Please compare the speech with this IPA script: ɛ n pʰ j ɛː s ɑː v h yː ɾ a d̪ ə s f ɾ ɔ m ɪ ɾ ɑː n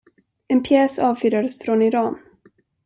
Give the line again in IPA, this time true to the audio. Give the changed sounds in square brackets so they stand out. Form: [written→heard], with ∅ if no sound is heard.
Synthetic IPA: ɛ n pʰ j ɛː s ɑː v [h→f] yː ɾ a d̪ ə s f ɾ ɔ [m→n] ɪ ɾ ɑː n